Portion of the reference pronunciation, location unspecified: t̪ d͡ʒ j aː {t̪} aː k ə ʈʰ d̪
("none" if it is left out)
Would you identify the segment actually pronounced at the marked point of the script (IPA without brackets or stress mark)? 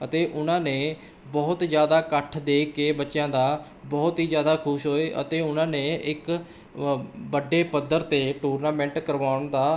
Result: d̪